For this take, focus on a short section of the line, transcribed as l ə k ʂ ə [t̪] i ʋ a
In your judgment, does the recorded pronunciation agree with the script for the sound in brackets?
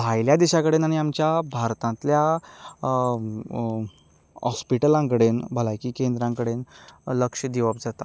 no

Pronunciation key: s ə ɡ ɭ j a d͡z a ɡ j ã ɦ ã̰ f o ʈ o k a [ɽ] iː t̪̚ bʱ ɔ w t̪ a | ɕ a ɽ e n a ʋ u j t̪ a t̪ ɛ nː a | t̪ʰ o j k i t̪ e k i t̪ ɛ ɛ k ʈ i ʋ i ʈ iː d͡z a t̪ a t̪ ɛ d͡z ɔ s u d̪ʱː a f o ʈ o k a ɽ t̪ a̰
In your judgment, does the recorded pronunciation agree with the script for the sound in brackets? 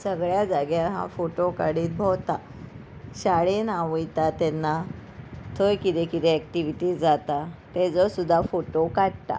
yes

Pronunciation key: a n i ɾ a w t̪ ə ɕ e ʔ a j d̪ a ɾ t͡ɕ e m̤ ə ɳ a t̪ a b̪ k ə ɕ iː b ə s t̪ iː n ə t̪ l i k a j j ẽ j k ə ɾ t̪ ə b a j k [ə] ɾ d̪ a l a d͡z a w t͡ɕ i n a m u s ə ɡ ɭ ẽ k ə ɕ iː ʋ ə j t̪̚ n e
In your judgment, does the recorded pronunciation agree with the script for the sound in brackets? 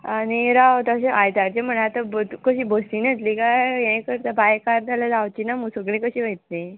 no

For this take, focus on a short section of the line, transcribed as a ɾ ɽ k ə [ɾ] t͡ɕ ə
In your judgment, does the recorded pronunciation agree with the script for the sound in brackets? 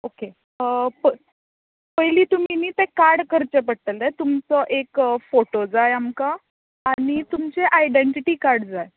yes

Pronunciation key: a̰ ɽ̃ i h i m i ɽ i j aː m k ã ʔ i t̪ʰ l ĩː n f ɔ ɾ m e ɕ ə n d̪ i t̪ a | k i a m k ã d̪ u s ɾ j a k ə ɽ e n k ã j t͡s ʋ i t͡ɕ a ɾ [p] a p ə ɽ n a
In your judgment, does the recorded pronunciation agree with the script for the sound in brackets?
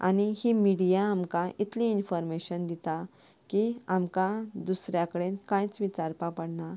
yes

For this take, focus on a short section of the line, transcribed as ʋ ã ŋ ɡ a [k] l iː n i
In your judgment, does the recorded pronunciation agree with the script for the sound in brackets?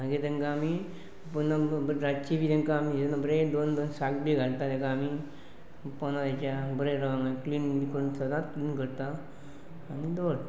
yes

